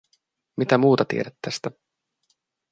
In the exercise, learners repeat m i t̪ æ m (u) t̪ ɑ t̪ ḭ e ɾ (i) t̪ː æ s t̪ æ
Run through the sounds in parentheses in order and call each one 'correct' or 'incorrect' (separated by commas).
incorrect, incorrect